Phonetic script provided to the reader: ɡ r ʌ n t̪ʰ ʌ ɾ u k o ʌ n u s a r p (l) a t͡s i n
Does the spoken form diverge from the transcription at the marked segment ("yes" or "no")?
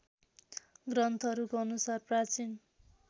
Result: yes